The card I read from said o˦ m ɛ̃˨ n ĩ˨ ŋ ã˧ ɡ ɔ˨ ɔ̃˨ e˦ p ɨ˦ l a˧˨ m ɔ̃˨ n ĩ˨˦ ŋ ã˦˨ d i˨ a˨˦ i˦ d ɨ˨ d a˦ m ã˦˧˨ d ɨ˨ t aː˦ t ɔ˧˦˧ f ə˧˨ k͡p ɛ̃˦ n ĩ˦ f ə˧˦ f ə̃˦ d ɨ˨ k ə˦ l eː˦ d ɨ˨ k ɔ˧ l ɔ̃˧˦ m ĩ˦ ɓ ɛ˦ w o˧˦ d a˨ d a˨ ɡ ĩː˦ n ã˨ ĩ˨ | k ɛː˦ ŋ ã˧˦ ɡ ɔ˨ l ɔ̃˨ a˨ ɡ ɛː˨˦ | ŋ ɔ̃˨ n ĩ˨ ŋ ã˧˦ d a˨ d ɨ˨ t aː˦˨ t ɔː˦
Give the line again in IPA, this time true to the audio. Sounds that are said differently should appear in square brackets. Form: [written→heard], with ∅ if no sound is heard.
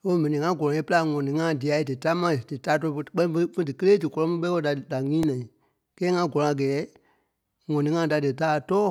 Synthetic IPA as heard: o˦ m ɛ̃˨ n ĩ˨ ŋ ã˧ ɡ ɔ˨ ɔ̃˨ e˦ p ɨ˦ l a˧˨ [m→ŋ] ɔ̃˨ n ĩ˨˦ ŋ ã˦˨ d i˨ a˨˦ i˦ d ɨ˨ [d→t] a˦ m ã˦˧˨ d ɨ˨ t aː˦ t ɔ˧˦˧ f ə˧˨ k͡p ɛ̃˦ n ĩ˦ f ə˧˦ f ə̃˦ d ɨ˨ k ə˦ l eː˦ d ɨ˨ k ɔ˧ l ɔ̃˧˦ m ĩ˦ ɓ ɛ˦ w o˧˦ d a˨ d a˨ [ɡ→ŋ] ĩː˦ n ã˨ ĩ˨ | k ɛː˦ ŋ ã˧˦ ɡ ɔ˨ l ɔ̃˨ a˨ ɡ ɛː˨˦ | ŋ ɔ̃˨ n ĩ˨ ŋ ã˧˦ d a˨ d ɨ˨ t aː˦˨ t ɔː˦